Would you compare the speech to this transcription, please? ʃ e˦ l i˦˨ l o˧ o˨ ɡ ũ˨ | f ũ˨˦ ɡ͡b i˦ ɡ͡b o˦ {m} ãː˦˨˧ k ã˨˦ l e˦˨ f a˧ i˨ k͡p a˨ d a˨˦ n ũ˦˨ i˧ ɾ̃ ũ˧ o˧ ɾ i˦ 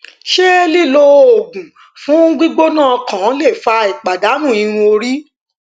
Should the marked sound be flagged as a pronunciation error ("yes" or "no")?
yes